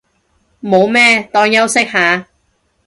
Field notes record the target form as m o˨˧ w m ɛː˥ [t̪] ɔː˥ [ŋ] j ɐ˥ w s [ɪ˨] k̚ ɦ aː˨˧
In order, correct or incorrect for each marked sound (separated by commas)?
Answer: correct, correct, incorrect